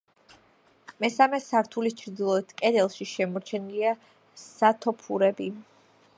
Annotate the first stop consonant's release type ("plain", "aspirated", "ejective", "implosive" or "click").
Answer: aspirated